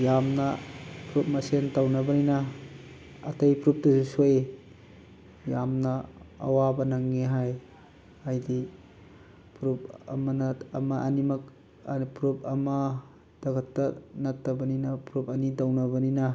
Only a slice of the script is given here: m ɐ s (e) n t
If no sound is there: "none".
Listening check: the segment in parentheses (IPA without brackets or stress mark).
e